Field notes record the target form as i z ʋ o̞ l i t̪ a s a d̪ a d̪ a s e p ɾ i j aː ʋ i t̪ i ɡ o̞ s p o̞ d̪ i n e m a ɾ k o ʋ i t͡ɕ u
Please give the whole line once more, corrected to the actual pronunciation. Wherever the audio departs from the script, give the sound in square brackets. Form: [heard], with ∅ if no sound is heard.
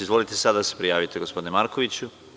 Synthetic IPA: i z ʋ o̞ l i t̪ [e] s a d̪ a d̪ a s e p ɾ i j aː ʋ i t̪ [e] ɡ o̞ s p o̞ d̪ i n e m a ɾ k o ʋ i t͡ɕ u